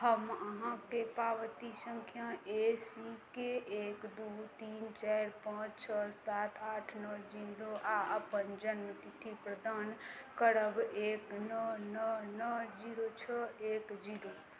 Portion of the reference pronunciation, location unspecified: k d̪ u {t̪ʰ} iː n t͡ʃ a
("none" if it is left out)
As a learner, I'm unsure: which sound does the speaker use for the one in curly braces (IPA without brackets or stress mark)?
t̪